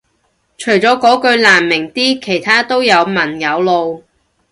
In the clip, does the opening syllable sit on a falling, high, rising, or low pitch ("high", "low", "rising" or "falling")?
low